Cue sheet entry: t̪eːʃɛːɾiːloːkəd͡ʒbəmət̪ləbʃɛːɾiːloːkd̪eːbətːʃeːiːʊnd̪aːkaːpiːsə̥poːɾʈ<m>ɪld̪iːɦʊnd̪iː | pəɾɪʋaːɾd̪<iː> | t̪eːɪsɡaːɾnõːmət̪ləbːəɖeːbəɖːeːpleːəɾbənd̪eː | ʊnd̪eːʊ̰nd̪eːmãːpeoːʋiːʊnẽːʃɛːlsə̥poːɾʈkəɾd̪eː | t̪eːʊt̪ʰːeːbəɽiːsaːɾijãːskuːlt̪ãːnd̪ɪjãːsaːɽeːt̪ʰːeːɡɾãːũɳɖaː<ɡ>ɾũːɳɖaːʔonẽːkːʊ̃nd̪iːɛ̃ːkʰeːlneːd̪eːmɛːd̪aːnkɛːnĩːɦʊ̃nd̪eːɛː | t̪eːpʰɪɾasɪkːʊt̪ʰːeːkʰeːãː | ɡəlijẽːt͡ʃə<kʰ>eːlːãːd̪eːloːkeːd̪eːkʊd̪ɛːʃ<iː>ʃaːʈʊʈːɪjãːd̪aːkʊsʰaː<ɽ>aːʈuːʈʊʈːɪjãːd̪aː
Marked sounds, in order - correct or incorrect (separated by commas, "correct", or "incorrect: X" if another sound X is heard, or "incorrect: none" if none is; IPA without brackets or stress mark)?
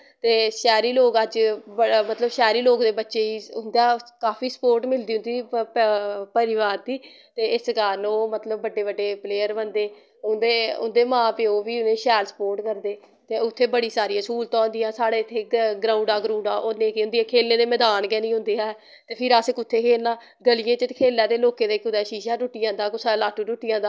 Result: correct, correct, correct, correct, correct, incorrect: l